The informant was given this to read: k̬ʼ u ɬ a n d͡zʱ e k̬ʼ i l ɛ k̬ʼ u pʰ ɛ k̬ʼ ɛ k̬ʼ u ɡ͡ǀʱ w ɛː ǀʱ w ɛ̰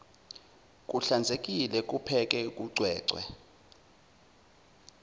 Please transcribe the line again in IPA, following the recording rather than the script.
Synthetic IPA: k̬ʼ u ɬ a n d͡zʱ e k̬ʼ i l ɛ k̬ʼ u pʰ ɛ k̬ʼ ɛ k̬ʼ u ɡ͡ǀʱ w ɛː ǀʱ w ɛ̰